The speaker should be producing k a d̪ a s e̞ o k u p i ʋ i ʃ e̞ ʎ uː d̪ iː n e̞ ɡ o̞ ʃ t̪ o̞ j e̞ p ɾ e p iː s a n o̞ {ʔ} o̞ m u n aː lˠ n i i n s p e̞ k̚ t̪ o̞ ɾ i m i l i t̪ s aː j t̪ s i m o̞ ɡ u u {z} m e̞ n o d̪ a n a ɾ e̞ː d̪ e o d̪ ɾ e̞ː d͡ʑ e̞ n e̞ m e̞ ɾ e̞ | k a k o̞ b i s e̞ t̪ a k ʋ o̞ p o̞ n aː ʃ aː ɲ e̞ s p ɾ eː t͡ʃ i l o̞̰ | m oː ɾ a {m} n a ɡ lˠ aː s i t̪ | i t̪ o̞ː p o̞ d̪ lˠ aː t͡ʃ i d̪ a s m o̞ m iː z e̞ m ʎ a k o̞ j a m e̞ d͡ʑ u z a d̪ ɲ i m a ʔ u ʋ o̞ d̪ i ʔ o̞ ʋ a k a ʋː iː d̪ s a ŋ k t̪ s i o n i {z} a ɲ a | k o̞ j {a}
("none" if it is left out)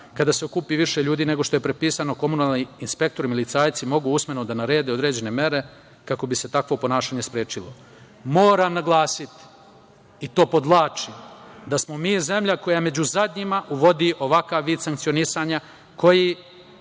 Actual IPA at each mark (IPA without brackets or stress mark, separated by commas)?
k, s, m, s, i